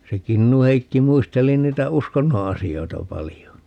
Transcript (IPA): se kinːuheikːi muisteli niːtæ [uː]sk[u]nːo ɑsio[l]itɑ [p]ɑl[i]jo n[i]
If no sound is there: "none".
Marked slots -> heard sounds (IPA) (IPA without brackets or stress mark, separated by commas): u, o, none, p, i, i